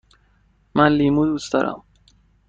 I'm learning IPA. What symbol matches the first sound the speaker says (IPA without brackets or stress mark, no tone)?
m